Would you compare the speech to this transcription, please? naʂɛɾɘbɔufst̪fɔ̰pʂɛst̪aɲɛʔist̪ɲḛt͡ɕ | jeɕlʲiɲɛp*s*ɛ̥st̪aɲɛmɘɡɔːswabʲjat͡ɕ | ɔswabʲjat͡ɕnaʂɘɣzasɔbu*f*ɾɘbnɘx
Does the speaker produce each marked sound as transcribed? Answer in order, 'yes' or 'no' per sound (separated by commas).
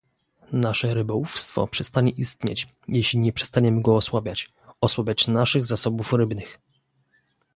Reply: no, yes